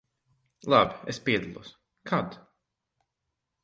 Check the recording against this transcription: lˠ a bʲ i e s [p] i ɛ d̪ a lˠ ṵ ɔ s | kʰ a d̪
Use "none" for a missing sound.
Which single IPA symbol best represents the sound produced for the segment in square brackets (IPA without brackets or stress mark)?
p